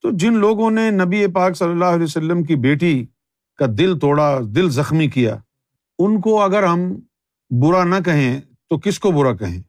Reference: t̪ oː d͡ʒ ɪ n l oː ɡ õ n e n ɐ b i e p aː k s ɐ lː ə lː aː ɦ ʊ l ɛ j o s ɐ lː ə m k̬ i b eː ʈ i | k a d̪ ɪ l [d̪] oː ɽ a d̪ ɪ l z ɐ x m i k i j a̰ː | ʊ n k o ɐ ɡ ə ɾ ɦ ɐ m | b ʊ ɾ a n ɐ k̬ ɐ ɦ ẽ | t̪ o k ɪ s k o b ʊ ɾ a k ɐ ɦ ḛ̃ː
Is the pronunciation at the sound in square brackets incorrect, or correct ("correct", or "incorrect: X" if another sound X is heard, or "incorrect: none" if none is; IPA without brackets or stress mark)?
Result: incorrect: t̪